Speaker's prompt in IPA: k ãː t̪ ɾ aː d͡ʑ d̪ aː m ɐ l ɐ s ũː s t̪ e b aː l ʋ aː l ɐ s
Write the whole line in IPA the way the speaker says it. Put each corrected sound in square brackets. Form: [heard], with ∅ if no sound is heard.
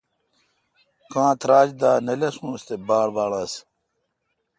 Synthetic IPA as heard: k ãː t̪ ɾ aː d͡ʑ d̪ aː [n] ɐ l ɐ s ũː s t̪ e b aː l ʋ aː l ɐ s